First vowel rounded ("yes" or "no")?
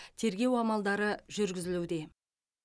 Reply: no